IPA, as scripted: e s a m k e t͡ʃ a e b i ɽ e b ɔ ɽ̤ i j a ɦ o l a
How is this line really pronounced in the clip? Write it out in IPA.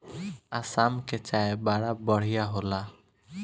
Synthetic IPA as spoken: a s a m k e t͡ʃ a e b a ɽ a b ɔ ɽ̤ i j a ɦ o l a